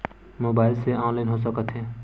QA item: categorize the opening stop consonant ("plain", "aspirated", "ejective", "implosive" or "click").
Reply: plain